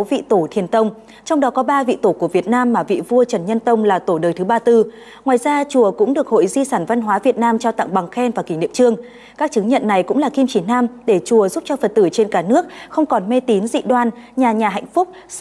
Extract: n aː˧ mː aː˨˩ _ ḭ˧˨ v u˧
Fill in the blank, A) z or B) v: B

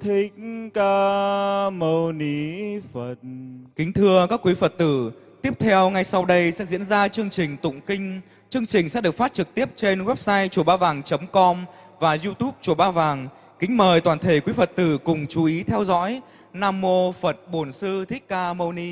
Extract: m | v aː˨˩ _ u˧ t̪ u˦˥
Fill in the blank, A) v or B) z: B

